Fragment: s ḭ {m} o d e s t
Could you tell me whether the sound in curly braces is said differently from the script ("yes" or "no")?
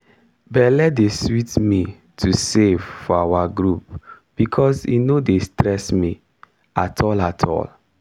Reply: yes